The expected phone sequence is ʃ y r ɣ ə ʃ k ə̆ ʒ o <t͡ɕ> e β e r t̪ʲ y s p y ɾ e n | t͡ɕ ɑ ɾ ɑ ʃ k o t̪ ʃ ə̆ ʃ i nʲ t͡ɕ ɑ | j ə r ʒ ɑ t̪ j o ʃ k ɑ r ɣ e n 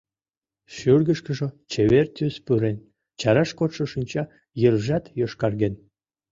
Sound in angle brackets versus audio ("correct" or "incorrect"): correct